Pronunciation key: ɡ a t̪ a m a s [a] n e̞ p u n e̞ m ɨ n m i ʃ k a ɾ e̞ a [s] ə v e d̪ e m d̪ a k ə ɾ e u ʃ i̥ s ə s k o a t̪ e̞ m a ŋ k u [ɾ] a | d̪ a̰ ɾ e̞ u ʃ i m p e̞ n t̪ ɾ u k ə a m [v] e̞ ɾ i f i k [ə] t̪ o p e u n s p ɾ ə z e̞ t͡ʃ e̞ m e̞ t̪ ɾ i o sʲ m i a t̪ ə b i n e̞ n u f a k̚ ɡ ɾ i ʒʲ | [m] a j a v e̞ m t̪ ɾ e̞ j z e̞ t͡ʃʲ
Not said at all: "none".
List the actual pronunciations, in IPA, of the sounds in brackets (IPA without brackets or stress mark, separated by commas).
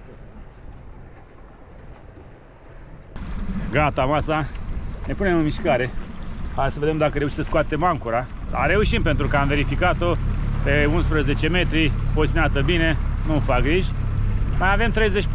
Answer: a, s, ɾ, v, a, m